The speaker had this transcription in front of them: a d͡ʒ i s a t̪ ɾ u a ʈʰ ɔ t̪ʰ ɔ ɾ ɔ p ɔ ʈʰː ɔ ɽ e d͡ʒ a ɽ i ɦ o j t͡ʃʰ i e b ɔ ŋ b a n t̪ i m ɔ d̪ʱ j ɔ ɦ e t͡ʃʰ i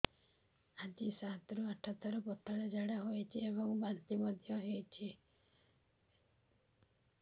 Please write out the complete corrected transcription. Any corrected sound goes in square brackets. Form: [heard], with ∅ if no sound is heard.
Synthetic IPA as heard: a d͡ʒ i s a t̪ ɾ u a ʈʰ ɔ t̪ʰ ɔ ɾ ɔ p ɔ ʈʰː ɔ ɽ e d͡ʒ a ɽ [a] ɦ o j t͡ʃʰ i e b ɔ ŋ b a n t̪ i m ɔ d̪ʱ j ɔ ɦ e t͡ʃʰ i